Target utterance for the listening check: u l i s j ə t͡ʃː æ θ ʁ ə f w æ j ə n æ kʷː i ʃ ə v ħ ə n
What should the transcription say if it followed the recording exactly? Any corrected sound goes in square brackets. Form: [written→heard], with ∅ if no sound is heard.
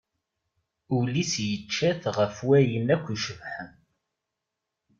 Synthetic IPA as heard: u l i s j ə t͡ʃː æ θ ʁ ə f w æ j ə n æ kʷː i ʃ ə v ħ ə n